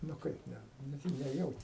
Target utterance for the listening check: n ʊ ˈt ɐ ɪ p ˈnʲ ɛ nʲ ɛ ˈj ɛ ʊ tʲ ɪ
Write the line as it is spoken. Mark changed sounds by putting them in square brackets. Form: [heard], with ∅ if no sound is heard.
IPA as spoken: n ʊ [ˈk] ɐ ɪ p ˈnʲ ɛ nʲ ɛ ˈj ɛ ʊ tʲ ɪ